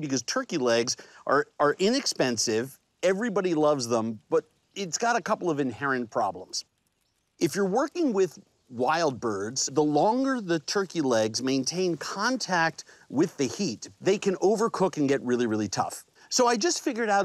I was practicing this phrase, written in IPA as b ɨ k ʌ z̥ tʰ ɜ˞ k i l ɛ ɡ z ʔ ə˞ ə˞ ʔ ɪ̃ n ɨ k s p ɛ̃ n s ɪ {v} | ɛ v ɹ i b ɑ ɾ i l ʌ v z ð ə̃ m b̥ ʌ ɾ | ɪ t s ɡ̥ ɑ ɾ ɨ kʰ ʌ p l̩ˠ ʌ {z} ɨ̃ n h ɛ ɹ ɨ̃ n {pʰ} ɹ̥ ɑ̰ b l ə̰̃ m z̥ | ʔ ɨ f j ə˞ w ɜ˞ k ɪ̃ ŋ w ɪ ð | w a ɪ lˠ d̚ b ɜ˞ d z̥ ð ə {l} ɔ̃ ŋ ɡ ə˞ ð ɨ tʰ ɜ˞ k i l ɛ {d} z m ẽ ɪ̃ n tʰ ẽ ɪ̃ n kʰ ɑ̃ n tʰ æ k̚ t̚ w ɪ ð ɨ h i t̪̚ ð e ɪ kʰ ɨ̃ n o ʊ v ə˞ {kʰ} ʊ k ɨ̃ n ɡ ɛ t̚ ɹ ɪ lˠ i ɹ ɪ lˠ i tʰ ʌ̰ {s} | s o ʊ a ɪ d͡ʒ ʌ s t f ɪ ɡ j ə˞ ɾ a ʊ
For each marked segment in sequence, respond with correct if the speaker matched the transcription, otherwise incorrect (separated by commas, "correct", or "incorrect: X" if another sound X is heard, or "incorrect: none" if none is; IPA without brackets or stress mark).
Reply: correct, incorrect: v, correct, correct, incorrect: ɡ, correct, incorrect: f